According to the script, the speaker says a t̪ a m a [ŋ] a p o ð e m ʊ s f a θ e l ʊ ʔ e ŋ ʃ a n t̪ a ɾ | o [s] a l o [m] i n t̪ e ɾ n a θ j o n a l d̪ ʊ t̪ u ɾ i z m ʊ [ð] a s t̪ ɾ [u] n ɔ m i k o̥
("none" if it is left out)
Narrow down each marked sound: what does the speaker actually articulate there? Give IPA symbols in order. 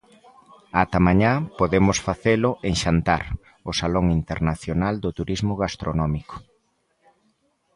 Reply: ɲ, s, ŋ, ɣ, o

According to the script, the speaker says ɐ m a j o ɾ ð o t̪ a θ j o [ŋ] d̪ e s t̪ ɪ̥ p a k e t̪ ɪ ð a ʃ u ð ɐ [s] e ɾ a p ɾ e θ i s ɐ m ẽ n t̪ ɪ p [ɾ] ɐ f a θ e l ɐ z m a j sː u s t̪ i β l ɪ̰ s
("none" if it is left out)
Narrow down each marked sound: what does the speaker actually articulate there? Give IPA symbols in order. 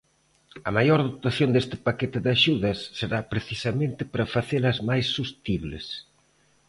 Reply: n, sː, ɾ

